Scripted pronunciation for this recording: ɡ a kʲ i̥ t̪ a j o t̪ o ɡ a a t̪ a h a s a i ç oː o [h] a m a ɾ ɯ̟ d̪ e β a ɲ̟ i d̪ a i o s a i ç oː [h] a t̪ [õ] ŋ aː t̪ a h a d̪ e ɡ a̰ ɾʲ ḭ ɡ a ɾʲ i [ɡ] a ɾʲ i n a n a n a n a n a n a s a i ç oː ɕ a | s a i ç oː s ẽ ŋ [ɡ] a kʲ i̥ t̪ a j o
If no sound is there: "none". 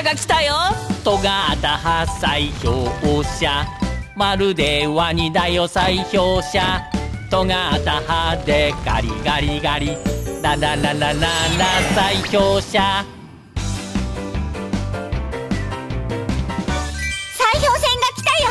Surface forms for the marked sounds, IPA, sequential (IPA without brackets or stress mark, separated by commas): ɕ, ɕ, o, ɡ, ɡ